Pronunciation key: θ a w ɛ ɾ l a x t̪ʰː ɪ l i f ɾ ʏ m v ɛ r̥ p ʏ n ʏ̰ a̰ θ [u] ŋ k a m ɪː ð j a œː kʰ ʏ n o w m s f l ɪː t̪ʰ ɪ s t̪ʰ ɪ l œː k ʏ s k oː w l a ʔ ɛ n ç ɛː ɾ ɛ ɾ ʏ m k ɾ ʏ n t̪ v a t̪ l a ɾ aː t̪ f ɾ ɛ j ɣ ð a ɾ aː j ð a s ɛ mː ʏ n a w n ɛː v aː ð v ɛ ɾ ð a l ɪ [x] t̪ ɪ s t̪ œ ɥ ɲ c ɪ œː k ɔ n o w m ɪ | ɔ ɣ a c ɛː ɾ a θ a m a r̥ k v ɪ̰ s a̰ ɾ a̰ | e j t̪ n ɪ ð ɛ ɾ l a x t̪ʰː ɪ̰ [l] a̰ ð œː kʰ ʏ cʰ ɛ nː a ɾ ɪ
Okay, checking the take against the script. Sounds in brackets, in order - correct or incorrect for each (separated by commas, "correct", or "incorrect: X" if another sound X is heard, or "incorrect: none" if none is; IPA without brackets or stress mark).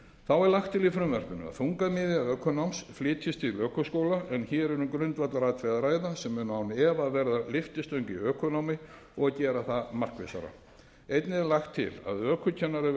correct, incorrect: f, correct